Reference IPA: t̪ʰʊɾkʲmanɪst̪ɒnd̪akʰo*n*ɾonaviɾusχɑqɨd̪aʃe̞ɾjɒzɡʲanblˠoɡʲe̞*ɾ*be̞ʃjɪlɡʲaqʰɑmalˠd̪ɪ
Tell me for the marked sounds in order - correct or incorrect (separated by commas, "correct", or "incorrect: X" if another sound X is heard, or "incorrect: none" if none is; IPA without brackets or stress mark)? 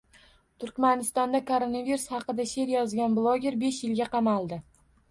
incorrect: none, correct